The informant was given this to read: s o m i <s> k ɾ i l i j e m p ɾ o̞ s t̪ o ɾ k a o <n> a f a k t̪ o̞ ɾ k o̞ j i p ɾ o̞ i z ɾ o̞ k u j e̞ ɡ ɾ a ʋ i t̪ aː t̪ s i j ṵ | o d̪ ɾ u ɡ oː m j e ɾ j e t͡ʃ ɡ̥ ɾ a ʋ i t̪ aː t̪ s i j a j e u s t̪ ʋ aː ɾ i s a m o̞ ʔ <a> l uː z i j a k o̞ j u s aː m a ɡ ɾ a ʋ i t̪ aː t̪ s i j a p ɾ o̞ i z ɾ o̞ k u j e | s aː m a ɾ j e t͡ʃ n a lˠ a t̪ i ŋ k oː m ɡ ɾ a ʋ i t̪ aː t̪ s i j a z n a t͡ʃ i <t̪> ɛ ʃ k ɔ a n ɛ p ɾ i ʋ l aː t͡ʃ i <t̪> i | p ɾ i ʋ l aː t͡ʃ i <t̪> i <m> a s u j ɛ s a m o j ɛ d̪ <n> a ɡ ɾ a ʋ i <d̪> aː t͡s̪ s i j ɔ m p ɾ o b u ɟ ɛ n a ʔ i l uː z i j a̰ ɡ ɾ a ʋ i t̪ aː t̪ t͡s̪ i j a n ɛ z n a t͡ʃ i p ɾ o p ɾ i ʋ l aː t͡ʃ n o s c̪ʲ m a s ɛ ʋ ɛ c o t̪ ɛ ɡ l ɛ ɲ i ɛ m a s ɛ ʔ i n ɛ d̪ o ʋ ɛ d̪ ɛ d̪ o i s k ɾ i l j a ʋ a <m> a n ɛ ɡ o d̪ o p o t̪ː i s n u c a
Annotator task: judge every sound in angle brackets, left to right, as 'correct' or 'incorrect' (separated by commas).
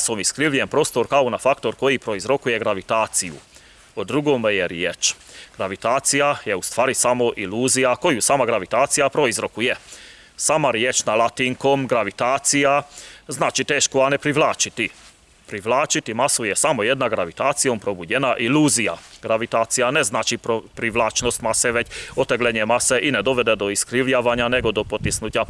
correct, correct, incorrect, correct, correct, correct, correct, correct, incorrect, incorrect